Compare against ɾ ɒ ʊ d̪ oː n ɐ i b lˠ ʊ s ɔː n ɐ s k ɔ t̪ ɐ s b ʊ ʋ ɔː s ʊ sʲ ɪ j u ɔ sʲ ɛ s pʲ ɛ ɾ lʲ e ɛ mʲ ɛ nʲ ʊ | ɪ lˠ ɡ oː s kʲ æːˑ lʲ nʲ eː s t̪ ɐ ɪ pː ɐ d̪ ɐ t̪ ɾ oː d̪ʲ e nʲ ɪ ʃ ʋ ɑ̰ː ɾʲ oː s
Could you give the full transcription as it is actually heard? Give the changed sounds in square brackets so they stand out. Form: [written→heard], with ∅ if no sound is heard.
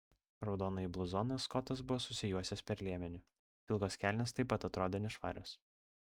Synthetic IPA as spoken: ɾ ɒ ʊ d̪ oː n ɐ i b lˠ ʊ [s→z] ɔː n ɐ s k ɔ t̪ ɐ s b ʊ ʋ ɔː s ʊ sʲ ɪ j u ɔ sʲ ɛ s pʲ ɛ ɾ lʲ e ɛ mʲ ɛ nʲ ʊ | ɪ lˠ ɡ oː s kʲ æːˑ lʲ nʲ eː s t̪ ɐ ɪ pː ɐ [d̪→t̪] ɐ t̪ ɾ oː d̪ʲ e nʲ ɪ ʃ ʋ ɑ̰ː ɾʲ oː s